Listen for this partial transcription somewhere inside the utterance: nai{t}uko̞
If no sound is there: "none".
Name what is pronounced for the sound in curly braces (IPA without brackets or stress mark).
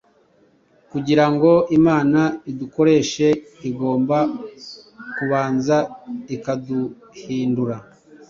d